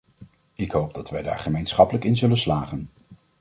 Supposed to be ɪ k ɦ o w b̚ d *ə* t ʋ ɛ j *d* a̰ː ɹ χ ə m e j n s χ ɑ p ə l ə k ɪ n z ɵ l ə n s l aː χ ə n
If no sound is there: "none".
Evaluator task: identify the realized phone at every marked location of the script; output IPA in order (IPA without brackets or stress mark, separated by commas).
ɑ, d